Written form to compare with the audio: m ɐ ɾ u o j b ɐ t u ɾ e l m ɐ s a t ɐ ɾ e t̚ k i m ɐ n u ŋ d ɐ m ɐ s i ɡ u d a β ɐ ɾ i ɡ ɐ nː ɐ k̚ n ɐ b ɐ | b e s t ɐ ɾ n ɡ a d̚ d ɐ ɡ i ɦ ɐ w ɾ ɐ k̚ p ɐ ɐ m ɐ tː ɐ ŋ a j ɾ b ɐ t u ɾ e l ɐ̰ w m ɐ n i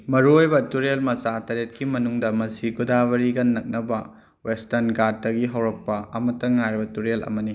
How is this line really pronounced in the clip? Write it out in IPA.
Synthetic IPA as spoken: m ɐ ɾ u o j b ɐ t u ɾ e l m ɐ s a t ɐ ɾ e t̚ k i m ɐ n u ŋ d ɐ m ɐ s i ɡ u d a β ɐ ɾ i ɡ ɐ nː ɐ k̚ n ɐ b ɐ | w e s t ɐ ɾ n ɡ a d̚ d ɐ ɡ i ɦ ɐ w ɾ ɐ k̚ p ɐ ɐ m ɐ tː ɐ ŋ a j ɾ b ɐ t u ɾ e l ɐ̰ m ɐ n i